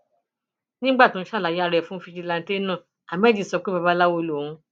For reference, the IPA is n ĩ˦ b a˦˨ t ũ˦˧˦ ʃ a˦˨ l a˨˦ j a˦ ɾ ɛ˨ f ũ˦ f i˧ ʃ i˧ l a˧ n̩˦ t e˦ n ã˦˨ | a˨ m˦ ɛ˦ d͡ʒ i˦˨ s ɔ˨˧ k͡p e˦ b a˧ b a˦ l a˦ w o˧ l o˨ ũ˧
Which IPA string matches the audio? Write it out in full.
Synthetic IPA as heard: n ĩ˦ ɡ͡b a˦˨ t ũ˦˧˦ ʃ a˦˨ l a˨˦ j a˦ ɾ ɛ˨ f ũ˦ f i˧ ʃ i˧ l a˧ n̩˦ t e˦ n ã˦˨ | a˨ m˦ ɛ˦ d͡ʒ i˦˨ s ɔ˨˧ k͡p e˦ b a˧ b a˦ l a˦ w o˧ l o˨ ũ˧